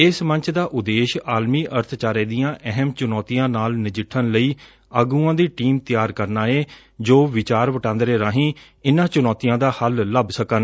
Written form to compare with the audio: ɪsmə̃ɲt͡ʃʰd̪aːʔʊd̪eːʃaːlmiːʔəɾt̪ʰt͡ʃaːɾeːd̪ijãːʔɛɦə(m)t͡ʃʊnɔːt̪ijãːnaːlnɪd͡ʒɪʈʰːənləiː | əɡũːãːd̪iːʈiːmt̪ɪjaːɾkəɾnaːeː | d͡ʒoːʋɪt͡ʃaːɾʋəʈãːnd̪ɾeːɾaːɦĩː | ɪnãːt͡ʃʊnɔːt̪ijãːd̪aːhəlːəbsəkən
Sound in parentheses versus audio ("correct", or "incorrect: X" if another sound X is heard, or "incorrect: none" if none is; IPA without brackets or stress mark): correct